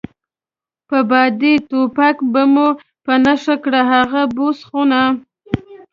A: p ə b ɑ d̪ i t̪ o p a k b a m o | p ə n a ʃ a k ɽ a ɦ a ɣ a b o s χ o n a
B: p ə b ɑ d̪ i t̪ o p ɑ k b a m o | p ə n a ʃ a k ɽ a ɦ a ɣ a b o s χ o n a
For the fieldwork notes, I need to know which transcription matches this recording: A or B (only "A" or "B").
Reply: A